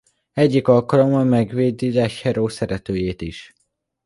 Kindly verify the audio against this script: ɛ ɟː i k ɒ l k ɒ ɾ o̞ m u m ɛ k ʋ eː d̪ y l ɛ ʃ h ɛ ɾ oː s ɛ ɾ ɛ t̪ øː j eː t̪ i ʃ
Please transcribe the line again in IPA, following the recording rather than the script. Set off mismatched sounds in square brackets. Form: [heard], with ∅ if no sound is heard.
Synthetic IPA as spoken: ɛ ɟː i k ɒ l k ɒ [l] o̞ m [ɒ] m ɛ [ɡ] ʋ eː d̪ [i] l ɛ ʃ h ɛ ɾ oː s ɛ ɾ ɛ t̪ øː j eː t̪ i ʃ